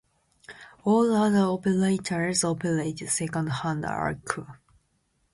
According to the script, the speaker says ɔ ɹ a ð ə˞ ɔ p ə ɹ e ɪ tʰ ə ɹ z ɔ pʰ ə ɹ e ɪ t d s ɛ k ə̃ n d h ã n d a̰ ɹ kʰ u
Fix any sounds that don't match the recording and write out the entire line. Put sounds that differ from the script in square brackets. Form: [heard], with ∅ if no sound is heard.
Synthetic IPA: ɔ [l] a ð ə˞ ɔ p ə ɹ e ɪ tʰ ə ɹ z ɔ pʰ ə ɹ e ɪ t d s ɛ k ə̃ n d h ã n d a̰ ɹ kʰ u